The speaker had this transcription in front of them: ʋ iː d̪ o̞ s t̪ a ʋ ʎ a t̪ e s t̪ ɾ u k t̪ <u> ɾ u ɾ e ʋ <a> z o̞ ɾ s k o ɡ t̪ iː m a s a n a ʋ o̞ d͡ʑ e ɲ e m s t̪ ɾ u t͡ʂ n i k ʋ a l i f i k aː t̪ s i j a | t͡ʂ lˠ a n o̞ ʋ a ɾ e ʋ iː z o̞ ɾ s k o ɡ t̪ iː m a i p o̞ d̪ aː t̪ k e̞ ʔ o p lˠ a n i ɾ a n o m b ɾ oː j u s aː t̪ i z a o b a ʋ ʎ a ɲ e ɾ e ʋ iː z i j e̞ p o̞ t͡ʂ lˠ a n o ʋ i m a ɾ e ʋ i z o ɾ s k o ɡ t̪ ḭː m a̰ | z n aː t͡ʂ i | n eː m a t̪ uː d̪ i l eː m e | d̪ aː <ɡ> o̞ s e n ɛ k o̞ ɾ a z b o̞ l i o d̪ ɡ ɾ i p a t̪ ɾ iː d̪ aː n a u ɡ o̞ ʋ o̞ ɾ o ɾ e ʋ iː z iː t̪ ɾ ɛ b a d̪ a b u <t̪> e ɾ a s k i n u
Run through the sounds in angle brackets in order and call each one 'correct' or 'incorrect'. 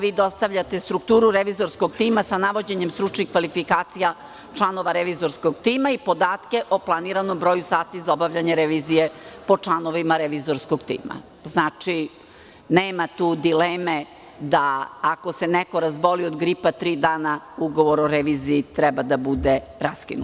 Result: incorrect: uː, incorrect: i, incorrect: k, incorrect: d̪

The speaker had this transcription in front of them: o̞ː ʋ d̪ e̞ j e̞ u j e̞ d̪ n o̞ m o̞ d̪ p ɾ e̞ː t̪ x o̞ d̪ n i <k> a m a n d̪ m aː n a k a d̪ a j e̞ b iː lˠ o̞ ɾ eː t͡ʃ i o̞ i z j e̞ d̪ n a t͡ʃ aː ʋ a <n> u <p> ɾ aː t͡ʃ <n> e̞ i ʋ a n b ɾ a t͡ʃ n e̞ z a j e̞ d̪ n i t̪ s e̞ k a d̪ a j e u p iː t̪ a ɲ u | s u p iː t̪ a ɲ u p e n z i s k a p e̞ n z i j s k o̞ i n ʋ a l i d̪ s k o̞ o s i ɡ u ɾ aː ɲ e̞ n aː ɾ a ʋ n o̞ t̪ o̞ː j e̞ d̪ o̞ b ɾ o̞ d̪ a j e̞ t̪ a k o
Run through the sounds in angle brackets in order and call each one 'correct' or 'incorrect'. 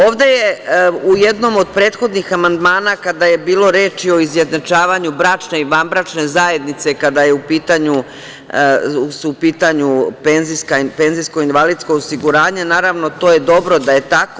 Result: incorrect: x, incorrect: ɲ, incorrect: b, correct

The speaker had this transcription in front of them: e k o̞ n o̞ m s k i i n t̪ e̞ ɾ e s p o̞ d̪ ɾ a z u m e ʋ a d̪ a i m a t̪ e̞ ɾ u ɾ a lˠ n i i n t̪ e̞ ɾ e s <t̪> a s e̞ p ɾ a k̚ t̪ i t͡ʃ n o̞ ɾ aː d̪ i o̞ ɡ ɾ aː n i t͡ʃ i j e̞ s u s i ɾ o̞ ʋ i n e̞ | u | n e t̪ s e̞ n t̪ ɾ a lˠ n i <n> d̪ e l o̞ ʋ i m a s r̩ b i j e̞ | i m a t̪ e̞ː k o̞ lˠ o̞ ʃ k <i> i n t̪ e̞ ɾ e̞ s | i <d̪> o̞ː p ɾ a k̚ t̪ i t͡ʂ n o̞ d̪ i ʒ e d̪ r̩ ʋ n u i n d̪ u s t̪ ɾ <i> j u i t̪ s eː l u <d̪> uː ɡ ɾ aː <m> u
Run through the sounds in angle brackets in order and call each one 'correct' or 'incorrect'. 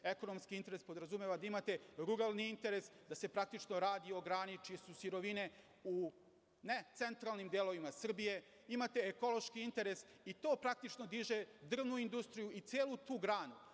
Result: incorrect: d̪, incorrect: m, correct, incorrect: t̪, correct, incorrect: t̪, incorrect: n

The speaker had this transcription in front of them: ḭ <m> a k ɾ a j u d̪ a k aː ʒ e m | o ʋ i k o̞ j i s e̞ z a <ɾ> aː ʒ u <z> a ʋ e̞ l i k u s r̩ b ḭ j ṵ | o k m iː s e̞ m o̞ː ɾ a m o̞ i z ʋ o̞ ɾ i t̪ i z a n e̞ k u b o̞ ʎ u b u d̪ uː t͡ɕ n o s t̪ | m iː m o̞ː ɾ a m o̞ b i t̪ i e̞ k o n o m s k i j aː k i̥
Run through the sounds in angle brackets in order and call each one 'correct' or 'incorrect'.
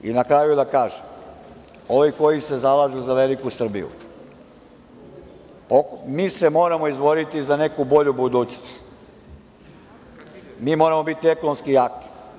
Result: incorrect: n, incorrect: l, correct

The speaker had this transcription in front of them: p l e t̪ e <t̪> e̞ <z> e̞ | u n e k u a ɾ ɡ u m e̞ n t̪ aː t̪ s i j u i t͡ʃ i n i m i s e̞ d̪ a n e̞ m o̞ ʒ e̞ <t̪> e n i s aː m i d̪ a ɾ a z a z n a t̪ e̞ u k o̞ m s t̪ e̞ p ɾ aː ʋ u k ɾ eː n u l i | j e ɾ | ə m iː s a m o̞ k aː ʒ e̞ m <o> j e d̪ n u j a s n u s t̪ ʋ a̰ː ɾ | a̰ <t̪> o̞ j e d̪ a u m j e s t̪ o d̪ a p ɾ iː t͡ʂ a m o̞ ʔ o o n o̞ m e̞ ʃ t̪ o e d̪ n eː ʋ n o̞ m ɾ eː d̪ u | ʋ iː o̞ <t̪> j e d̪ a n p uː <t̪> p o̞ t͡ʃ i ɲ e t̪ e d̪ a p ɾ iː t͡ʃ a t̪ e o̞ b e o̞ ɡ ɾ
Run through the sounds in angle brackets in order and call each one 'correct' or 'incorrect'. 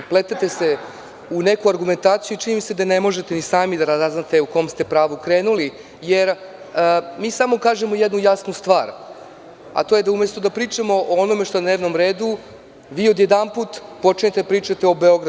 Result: correct, incorrect: s, correct, correct, correct, incorrect: d̪, correct

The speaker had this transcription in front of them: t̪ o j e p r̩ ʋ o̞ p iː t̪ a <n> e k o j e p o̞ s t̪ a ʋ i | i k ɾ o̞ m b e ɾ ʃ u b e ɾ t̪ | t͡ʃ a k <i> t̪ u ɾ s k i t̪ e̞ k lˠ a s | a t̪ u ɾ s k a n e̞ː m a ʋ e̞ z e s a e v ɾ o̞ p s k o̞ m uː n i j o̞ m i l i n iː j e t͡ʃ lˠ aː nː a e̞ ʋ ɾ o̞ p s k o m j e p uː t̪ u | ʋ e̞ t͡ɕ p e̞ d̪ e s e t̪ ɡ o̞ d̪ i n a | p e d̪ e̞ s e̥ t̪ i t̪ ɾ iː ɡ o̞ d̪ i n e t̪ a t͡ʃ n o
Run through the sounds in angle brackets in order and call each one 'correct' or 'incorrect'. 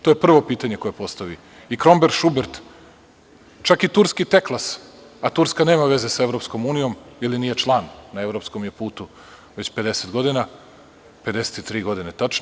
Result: incorrect: ɲ, correct

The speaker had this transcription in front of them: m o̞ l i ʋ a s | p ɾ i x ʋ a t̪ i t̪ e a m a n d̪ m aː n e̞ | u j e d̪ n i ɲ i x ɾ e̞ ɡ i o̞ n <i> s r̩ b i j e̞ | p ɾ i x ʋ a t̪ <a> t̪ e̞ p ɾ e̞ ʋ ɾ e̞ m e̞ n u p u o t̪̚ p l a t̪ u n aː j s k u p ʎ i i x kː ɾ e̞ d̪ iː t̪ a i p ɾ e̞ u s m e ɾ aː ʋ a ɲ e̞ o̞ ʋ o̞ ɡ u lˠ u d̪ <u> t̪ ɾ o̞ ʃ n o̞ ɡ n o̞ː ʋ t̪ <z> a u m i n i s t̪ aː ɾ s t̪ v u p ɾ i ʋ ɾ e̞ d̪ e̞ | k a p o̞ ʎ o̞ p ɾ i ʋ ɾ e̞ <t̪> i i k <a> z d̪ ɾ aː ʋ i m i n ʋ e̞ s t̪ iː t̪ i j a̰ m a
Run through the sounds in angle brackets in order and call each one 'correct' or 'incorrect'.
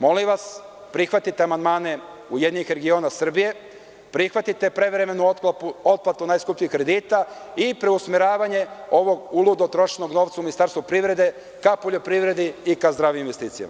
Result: incorrect: a, incorrect: i, incorrect: o, incorrect: s, incorrect: d̪, correct

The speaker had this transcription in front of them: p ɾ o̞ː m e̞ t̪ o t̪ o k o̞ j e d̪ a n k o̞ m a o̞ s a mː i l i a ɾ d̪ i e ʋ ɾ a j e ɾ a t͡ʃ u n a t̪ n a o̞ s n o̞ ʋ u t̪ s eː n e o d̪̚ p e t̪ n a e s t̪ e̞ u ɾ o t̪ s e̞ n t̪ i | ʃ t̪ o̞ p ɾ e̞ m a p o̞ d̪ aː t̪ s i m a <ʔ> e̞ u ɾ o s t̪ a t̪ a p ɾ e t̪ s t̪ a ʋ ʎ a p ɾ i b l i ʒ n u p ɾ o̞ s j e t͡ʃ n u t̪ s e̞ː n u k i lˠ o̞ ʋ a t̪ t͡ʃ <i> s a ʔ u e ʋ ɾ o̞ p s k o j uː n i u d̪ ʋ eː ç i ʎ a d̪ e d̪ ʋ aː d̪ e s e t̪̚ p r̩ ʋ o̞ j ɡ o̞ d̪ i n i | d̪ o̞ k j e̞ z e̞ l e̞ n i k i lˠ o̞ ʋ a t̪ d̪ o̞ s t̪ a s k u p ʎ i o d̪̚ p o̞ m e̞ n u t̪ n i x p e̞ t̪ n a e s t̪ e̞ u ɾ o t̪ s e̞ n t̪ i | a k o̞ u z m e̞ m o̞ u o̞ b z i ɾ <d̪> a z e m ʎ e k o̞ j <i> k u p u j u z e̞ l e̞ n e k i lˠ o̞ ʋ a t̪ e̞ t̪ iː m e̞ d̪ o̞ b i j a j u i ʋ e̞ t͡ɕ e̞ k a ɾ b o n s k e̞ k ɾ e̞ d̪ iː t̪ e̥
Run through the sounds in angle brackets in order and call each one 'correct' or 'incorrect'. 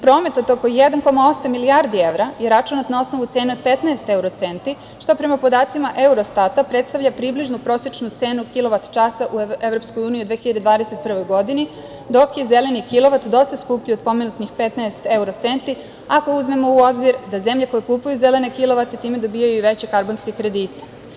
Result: correct, incorrect: a, correct, incorrect: e

